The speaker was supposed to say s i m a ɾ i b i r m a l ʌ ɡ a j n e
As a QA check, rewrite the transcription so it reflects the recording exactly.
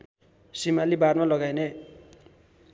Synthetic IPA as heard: s i m a l i b a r m a l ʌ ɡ a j n e